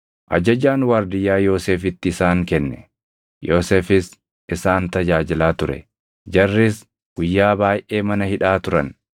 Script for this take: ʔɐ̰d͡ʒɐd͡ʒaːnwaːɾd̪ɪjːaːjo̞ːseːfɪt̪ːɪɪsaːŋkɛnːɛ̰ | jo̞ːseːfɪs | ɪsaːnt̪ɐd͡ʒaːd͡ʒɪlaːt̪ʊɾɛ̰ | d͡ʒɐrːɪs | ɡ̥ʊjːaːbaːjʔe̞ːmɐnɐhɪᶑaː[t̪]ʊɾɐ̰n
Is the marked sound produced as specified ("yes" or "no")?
yes